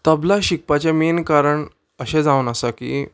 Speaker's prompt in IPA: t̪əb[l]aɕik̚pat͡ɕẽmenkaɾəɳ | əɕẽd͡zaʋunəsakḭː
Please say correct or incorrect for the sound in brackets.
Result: correct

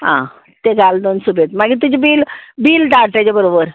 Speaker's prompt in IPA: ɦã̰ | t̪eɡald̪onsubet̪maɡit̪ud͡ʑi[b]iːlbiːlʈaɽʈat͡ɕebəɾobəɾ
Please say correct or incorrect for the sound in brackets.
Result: correct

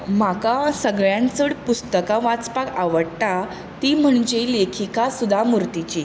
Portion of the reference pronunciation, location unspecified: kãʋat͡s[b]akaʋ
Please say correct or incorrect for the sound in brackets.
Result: incorrect: p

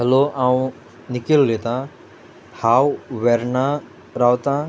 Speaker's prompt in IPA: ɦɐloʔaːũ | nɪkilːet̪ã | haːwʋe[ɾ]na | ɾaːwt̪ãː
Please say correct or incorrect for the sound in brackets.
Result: correct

